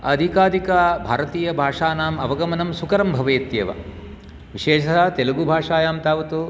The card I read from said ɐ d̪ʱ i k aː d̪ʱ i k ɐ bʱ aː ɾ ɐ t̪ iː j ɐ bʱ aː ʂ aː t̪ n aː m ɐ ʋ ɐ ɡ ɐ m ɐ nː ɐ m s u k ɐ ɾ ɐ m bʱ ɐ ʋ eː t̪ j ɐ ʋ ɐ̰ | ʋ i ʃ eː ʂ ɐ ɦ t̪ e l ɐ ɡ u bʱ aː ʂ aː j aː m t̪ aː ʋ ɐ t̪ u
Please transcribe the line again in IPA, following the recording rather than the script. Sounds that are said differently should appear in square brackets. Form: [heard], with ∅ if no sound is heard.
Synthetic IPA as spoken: ɐ d̪ʱ i k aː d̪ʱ i k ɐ bʱ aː ɾ ɐ t̪ iː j ɐ bʱ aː ʂ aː [∅] n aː m ɐ ʋ ɐ ɡ ɐ m ɐ [n] ɐ m s u k ɐ ɾ ɐ m bʱ ɐ ʋ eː t̪ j ɐ ʋ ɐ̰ | ʋ i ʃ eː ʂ ɐ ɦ t̪ e l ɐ ɡ u bʱ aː ʂ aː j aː m t̪ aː ʋ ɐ t̪ u